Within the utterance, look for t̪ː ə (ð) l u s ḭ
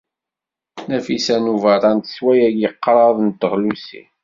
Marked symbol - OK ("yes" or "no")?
no